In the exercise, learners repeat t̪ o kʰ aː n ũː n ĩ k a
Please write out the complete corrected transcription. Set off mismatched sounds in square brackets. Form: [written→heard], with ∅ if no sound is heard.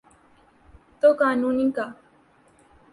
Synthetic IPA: t̪ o [kʰ→k] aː n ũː n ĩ k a